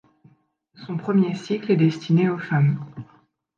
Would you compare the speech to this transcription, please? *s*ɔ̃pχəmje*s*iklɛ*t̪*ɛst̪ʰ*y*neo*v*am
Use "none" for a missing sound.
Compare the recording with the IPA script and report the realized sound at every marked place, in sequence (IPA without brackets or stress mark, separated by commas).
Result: s, s, d̪, i, f